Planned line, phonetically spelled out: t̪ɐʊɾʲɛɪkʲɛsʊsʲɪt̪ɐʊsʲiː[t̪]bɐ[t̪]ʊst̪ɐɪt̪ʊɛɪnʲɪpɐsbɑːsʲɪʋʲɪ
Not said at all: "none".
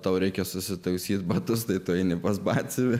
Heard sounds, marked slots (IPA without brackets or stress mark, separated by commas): t̪, t̪